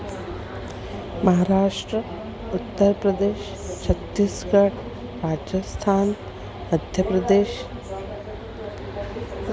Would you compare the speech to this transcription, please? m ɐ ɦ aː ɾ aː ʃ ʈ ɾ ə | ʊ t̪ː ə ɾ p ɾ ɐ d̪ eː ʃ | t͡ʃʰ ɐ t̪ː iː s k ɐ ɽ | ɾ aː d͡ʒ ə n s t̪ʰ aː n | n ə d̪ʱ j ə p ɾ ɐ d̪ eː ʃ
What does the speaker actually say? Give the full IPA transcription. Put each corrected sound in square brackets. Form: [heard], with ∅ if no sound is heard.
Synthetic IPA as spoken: m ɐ ɦ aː ɾ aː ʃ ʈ ɾ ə | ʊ t̪ː ə ɾ p ɾ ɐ d̪ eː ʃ | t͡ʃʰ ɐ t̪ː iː s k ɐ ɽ | ɾ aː d͡ʒ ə [∅] s t̪ʰ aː n | [m] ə d̪ʱ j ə p ɾ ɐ d̪ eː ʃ